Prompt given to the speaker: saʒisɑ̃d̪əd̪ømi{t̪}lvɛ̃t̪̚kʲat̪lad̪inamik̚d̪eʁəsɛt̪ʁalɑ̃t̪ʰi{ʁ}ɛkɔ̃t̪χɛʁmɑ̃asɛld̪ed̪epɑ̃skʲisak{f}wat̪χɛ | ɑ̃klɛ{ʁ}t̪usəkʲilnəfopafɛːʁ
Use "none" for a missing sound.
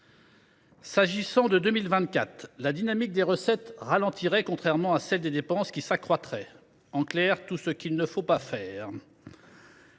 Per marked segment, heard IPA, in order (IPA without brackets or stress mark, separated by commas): none, ʁ, χ, ʁ